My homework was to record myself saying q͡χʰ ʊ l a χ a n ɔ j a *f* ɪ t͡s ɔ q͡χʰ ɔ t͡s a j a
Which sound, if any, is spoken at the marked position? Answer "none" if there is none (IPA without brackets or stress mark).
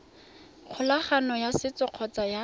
s